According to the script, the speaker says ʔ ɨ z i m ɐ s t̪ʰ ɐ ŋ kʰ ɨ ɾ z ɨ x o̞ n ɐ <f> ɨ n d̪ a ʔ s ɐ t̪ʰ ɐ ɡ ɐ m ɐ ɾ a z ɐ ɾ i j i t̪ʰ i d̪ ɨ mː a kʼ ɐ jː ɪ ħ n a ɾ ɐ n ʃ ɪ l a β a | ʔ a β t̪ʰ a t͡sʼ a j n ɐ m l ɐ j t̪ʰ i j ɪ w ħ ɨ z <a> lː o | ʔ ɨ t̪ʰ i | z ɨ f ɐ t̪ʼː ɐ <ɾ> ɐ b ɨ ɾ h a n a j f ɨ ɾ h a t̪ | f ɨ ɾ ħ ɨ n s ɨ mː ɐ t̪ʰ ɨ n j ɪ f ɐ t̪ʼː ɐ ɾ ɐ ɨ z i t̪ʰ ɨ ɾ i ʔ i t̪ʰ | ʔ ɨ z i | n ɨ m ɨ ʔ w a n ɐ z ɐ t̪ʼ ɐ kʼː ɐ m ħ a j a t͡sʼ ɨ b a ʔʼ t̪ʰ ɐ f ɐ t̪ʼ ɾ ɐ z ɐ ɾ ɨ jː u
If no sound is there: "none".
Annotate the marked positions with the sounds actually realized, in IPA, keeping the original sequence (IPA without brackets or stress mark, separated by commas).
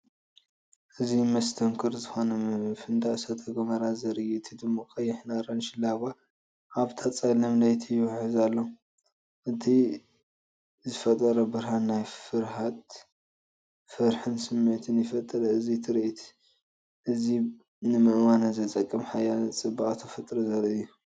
f, a, ɾ